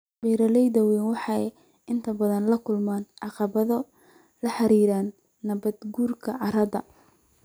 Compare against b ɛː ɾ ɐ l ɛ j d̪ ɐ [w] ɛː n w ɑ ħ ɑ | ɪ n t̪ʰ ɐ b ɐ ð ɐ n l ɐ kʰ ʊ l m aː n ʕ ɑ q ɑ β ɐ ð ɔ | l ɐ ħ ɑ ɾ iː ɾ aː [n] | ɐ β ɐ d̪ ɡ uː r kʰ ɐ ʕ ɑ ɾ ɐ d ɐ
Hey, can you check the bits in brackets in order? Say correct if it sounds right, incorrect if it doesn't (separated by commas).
correct, incorrect